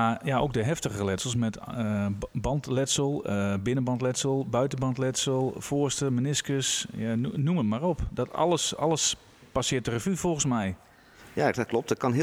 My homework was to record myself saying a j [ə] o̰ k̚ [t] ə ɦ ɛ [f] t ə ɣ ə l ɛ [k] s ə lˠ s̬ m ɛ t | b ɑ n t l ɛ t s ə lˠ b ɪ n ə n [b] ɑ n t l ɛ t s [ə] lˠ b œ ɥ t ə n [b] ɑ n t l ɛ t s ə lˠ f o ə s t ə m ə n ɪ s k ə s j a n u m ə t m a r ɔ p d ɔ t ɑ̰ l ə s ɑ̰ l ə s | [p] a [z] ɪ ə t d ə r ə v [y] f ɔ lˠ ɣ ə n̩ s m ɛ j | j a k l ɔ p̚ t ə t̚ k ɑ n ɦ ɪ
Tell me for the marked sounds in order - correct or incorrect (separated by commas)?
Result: incorrect, incorrect, correct, incorrect, correct, correct, correct, correct, incorrect, correct